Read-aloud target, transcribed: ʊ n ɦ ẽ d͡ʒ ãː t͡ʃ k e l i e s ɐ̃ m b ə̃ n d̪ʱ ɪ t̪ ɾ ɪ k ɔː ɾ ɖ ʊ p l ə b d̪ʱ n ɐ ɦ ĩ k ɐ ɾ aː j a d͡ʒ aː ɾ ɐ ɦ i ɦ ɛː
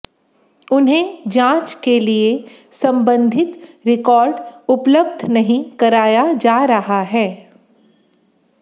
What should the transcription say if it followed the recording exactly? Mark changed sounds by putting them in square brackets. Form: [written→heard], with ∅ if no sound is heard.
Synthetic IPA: ʊ n ɦ ẽ d͡ʒ ãː t͡ʃ k e l i e s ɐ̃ m b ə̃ n d̪ʱ ɪ t̪ ɾ ɪ k ɔː ɾ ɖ ʊ p l ə b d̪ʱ n ɐ ɦ ĩ k ɐ ɾ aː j a d͡ʒ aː ɾ ɐ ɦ [i→a] ɦ ɛː